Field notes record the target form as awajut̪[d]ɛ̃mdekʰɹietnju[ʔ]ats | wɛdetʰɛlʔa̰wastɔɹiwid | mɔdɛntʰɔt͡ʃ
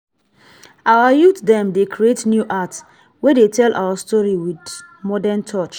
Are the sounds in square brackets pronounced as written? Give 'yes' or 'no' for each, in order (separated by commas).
yes, yes